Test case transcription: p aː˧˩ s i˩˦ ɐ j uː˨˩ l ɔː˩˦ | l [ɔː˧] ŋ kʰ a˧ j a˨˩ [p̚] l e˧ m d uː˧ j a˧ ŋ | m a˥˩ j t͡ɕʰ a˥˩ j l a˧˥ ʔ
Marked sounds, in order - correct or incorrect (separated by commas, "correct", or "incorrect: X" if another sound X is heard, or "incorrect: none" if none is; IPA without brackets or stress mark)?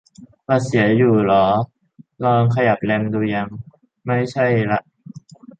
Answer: correct, correct